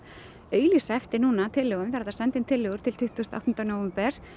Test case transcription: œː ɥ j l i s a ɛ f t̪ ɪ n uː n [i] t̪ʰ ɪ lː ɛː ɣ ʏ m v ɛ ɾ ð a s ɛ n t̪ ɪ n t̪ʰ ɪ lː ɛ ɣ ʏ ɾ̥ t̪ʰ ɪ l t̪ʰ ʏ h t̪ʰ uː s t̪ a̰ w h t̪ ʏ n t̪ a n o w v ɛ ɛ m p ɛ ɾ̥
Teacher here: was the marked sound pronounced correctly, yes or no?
no